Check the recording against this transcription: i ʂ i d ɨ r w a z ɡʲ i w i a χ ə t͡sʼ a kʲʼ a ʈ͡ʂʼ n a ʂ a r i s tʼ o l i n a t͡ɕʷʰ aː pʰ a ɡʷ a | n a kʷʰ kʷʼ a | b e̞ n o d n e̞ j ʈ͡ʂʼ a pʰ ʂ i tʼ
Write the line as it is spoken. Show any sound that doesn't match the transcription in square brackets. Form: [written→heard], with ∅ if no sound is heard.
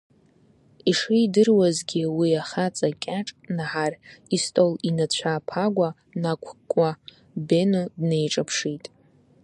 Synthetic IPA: i ʂ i d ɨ r w a z ɡʲ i w i a χ [ə→a] t͡sʼ a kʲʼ a ʈ͡ʂʼ n a [ʂ→ħ] a r i s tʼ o l i n a t͡ɕʷʰ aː pʰ a ɡʷ a | n a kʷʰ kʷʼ a | b e̞ n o d n e̞ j ʈ͡ʂʼ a pʰ ʂ i tʼ